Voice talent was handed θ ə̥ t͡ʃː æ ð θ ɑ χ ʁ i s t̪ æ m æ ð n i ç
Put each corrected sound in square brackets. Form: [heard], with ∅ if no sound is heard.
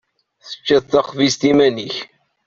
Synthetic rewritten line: θ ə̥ t͡ʃː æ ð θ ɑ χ [v] i s t̪ [i] m æ [∅] n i ç